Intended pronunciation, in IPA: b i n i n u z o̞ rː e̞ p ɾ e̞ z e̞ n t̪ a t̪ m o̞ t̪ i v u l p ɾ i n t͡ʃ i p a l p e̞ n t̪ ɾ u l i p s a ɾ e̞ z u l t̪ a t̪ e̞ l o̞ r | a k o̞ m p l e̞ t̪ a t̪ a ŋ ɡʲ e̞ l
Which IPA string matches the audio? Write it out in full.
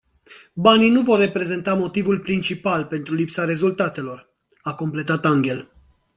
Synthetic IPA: b a n i n u v o̞ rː e̞ p ɾ e̞ z e̞ n t̪ a m o̞ t̪ i v u l p ɾ i n t͡ʃ i p a l p e̞ n t̪ ɾ u l i p s a ɾ e̞ z u l t̪ a t̪ e̞ l o̞ r | a k o̞ m p l e̞ t̪ a t̪ a ŋ ɡʲ e̞ l

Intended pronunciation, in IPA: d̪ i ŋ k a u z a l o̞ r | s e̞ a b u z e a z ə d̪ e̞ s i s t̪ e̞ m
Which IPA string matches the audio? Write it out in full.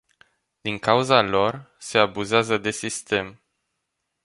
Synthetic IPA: d̪ i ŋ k a u z a l o̞ r | s e̞ a b u z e a z ə d̪ e̞ s i s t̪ e̞ m

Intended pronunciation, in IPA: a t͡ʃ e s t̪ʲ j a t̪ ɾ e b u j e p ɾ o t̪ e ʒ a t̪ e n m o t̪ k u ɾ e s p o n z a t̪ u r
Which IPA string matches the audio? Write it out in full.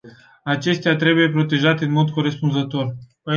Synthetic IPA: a t͡ʃ e s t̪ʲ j a t̪ ɾ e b u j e p ɾ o t̪ e ʒ a t̪ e n m o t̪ k o ɾ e s p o n z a t̪ o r

